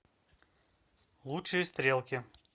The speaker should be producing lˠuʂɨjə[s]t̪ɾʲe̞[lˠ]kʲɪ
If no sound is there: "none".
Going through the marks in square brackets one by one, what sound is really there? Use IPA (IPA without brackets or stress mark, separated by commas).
s, lˠ